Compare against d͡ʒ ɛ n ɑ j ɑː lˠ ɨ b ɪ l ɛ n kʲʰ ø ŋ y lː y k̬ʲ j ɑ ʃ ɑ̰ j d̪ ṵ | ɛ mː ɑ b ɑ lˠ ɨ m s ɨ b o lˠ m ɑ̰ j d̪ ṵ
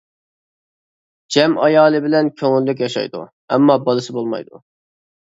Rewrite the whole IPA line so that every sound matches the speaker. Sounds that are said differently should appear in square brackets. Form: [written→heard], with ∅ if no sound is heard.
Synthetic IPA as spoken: d͡ʒ ɛ [n→m] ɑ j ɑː lˠ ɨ b ɪ l ɛ n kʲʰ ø ŋ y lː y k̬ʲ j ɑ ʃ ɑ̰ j d̪ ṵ | ɛ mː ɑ b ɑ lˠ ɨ [m→∅] s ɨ b o lˠ m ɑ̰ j d̪ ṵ